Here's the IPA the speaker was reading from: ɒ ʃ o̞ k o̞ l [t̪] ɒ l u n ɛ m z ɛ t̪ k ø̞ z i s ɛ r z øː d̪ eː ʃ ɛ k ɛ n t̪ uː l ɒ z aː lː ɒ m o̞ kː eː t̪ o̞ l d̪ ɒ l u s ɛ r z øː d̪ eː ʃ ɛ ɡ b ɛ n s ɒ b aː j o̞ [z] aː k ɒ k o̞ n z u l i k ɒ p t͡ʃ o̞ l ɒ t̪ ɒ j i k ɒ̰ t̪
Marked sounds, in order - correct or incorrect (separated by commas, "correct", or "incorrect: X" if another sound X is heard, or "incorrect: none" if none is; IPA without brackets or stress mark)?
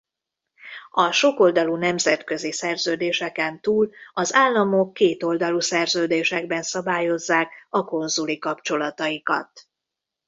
incorrect: d̪, incorrect: zː